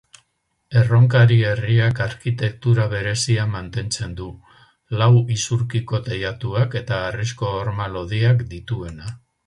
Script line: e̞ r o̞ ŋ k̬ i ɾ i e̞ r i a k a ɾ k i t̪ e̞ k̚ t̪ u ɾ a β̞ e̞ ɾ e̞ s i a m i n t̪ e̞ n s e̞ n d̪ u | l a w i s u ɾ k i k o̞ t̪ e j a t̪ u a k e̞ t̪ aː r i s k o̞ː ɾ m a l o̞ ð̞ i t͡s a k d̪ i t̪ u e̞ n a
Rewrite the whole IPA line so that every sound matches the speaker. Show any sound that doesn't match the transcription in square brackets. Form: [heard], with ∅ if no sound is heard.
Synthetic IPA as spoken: e̞ r o̞ ŋ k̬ [a] ɾ i e̞ r i a k a ɾ k i t̪ e̞ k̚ t̪ u ɾ a β̞ e̞ ɾ e̞ s i a m [a] n t̪ e̞ n [t͡s] e̞ n d̪ u | l a w i s u ɾ k i k o̞ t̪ e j a t̪ u a k e̞ t̪ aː r i s k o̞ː ɾ m a l o̞ ð̞ i [∅] a k d̪ i t̪ u e̞ n a

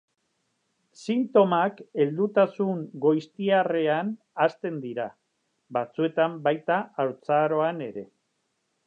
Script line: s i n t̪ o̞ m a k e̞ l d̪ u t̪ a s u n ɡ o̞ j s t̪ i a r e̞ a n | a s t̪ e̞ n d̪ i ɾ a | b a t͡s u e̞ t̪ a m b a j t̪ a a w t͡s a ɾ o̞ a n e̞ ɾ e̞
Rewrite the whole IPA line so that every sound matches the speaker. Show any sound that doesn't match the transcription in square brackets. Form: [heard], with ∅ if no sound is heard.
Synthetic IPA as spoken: s i n t̪ o̞ m a k e̞ l d̪ u t̪ a s u [ŋ] ɡ o̞ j s t̪ i a r e̞ a n | a s t̪ e̞ n d̪ i ɾ a | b a t͡s u e̞ t̪ a m b a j t̪ a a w t͡s a ɾ o̞ a n e̞ ɾ e̞

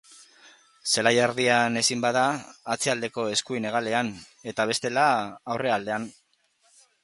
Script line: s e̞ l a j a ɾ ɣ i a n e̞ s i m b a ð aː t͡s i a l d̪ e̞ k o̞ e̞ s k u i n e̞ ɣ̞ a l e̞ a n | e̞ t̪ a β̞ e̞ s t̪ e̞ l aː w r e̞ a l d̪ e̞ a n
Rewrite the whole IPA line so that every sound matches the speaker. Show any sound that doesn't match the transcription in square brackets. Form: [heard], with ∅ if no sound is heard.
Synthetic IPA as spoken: s e̞ l a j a ɾ [ð] i a n e̞ s i m b a ð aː t͡s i a l d̪ e̞ k o̞ e̞ s k u i n e̞ ɣ̞ a l e̞ a n | e̞ t̪ a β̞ e̞ s t̪ e̞ l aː w r e̞ a l d̪ e̞ a n

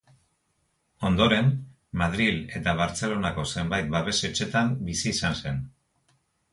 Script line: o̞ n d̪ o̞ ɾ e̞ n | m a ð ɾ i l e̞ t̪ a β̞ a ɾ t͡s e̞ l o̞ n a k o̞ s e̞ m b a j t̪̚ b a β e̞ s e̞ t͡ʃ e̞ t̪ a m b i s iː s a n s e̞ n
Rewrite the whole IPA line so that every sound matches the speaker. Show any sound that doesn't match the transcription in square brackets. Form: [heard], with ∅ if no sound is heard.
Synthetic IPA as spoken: o̞ n d̪ o̞ ɾ e̞ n | m a ð ɾ i l e̞ t̪ a β̞ a ɾ t͡s e̞ l o̞ n a k o̞ s e̞ m b a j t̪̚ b a β e̞ s e̞ t͡ʃ e̞ t̪ a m b i s iː s a n s e̞ n

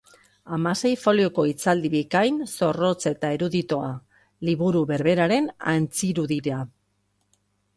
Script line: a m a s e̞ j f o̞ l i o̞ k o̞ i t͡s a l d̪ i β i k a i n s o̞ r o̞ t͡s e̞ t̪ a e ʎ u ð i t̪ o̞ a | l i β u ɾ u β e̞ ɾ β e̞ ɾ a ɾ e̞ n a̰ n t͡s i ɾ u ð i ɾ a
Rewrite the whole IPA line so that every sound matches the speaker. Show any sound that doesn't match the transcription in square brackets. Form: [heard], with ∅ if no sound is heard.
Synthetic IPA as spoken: a m a s e̞ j f o̞ l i o̞ k o̞ i t͡s a l d̪ i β i k a [j] n s o̞ r o̞ t͡s e̞ t̪ a e [ɾ] u ð i t̪ o̞ a | l i β u ɾ u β e̞ ɾ β e̞ ɾ a ɾ e̞ n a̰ n t͡s i ɾ u ð i ɾ a

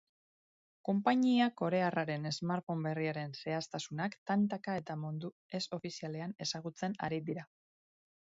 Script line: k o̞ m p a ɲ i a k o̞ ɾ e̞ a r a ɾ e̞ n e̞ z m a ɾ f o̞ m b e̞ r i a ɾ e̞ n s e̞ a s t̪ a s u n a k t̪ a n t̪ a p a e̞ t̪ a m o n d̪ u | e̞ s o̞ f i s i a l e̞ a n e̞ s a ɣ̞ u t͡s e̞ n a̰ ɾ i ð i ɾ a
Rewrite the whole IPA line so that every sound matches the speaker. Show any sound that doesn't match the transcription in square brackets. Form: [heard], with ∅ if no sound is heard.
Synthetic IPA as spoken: k o̞ m p a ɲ i a k o̞ ɾ e̞ a r a ɾ e̞ n e̞ z m a ɾ f o̞ m b e̞ r i a ɾ e̞ n s e̞ a s t̪ a s u n a k t̪ a n t̪ a [k] a e̞ t̪ a m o n d̪ u | e̞ s o̞ f i s i a l e̞ a n e̞ s a ɣ̞ u t͡s e̞ n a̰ ɾ i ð i ɾ a

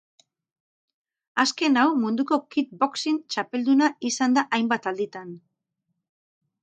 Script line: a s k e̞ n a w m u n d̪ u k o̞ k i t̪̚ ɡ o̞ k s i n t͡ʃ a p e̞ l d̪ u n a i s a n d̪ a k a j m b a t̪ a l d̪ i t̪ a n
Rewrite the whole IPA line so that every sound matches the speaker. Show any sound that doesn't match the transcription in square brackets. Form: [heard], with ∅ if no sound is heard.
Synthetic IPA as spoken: a s k e̞ n a w m u n d̪ u k o̞ k i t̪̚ [b] o̞ k s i n t͡ʃ a p e̞ l d̪ u n a i s a n d̪ a [ʔ] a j m b a t̪ a l d̪ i t̪ a n

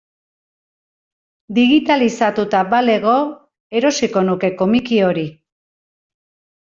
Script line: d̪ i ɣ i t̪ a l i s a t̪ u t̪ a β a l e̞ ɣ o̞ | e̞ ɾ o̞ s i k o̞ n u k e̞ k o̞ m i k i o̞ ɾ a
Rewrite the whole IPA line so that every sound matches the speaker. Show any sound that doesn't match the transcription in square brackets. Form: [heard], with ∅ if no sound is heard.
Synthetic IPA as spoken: d̪ i ɣ i t̪ a l i s a t̪ u t̪ a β a l e̞ ɣ o̞ | e̞ ɾ o̞ s i k o̞ n u k e̞ k o̞ m i k i o̞ ɾ [i]

